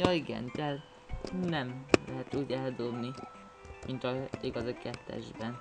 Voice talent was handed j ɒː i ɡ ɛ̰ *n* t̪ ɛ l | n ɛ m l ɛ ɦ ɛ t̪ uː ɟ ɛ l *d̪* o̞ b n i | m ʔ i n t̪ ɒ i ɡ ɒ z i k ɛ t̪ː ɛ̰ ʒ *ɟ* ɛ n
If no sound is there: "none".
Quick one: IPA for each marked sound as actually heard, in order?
n, d̪, b

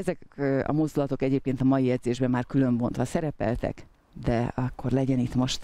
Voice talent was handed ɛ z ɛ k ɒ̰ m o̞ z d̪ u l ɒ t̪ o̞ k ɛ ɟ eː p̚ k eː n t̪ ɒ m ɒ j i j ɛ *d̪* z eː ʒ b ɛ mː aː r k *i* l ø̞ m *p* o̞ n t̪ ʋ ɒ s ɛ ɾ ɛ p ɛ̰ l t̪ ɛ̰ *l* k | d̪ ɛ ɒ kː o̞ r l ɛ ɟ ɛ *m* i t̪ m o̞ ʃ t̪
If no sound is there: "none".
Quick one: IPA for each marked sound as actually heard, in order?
d̪, y, b, none, n

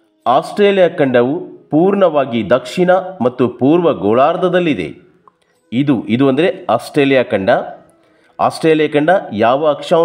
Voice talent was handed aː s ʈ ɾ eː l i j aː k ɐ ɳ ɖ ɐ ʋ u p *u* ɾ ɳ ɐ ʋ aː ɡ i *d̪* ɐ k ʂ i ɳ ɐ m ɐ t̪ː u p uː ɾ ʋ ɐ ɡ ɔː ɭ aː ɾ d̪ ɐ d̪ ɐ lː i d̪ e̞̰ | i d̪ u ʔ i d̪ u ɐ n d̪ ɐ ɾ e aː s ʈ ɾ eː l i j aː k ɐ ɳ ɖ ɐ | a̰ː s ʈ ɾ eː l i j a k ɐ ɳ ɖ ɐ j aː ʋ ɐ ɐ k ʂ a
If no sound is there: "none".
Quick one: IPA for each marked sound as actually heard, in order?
uː, d̪

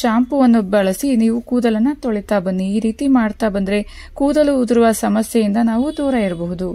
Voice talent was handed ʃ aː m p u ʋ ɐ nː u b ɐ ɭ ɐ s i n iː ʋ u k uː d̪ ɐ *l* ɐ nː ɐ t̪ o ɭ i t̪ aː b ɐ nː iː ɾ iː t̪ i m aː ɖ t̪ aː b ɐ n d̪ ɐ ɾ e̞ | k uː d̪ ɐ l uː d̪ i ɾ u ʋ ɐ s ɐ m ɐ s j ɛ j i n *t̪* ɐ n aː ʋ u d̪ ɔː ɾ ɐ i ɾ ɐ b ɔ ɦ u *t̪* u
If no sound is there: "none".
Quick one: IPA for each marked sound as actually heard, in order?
l, d̪, d̪

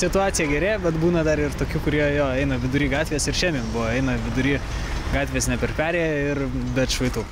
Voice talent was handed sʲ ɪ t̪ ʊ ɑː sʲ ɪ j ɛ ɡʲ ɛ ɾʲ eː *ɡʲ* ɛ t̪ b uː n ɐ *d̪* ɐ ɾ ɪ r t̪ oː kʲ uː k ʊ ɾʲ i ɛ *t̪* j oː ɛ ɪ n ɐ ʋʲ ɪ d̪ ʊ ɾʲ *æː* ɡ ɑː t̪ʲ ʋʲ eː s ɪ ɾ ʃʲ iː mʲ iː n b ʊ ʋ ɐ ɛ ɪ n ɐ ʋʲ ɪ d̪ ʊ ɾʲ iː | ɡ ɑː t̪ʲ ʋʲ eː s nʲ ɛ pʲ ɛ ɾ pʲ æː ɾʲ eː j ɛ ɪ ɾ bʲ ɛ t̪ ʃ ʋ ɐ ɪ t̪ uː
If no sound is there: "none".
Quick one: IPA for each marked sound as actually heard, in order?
bʲ, d̪, none, iː

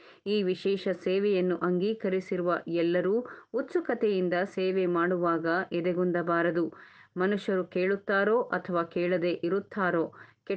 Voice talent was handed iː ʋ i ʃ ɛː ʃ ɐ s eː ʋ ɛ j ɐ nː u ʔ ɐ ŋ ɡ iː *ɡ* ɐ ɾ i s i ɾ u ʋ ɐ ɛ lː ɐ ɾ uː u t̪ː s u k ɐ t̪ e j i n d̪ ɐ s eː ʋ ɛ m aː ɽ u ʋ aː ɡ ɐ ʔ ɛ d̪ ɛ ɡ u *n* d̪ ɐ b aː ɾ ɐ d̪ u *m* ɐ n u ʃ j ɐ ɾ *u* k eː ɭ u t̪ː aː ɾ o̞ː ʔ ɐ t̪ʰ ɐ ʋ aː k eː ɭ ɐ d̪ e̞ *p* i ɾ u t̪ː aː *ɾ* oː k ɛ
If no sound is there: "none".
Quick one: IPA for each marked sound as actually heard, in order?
k, n, m, u, ʔ, ɾ

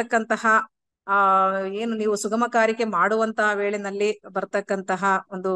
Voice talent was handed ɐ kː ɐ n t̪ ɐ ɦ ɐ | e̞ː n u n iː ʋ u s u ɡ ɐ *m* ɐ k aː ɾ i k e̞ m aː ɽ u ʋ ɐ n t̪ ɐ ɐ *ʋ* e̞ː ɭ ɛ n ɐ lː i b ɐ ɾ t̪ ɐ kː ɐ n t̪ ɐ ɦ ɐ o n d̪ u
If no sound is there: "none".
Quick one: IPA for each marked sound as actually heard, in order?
m, ʋ

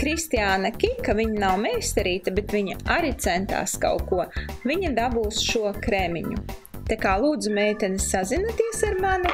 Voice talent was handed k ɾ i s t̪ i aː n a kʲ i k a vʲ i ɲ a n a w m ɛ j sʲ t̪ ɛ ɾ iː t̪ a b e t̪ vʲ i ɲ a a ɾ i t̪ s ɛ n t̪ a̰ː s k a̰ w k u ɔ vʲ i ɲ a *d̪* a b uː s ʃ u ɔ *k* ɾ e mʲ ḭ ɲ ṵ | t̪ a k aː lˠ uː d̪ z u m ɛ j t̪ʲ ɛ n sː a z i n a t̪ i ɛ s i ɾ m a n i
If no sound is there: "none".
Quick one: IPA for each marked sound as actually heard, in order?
d̪, k

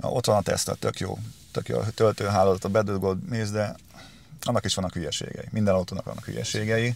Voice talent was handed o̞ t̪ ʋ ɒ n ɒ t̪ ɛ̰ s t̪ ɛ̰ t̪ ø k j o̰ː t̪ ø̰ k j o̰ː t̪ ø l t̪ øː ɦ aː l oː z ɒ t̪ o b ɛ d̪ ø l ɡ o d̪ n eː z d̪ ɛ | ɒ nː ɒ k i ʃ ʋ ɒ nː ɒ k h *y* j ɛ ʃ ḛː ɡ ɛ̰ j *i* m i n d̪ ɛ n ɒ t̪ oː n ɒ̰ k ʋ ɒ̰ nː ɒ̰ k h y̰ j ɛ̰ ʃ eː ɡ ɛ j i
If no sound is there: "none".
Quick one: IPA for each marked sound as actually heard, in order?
y, i

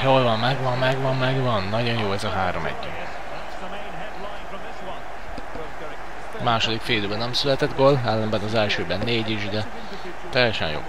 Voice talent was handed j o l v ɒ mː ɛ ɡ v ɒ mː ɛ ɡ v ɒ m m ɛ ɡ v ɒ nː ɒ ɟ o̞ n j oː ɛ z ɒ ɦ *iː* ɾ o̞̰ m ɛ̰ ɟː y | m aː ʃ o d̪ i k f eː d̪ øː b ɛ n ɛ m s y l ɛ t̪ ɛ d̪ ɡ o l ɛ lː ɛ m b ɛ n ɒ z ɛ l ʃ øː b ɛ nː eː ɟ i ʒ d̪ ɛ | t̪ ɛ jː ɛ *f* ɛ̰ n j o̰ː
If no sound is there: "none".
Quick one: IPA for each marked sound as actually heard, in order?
aː, ʃ

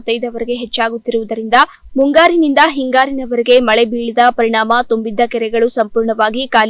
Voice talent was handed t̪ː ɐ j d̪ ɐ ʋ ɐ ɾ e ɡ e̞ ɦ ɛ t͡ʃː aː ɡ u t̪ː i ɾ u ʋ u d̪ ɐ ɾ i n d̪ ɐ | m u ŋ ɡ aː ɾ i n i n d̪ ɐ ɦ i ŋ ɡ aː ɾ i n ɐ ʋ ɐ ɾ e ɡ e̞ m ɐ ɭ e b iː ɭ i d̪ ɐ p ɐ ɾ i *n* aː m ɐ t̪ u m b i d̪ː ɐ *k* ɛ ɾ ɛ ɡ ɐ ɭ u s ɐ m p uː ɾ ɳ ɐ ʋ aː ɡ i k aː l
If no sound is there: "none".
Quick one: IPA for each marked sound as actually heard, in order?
ɳ, k

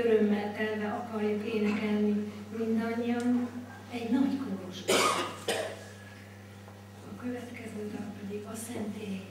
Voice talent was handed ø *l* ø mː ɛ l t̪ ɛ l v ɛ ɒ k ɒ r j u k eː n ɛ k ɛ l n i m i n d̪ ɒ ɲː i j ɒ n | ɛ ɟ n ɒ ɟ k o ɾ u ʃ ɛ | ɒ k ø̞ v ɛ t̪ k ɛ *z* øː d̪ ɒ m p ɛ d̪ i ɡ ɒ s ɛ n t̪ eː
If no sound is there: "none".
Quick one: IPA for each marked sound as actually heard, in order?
ɾ, z

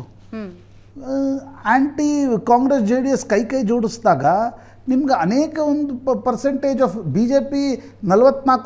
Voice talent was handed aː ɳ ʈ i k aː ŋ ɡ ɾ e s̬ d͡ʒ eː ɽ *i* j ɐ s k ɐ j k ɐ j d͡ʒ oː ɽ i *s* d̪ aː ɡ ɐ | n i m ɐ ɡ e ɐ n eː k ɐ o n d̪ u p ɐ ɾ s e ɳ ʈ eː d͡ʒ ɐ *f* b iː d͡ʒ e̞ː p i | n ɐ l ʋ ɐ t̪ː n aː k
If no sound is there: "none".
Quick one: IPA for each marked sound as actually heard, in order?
i, s, f

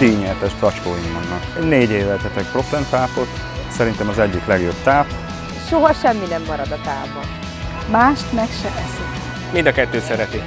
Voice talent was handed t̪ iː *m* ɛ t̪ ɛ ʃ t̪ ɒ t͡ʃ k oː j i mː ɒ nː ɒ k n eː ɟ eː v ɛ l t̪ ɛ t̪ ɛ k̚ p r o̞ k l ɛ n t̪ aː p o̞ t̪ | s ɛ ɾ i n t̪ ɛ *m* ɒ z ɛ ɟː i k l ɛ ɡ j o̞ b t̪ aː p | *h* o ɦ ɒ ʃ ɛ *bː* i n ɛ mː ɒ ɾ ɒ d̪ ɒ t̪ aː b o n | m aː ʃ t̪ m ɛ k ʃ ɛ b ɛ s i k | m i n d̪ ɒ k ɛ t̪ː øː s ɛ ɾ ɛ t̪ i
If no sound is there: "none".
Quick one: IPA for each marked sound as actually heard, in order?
ɲ, m, ʃ, mː

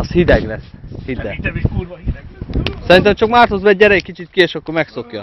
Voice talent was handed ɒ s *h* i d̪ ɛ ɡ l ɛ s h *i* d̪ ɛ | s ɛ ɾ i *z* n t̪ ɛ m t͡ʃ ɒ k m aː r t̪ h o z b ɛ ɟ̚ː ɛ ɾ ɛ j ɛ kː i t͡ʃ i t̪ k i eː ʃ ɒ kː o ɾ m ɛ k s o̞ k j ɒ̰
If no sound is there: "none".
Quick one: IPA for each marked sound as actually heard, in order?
h, i, none

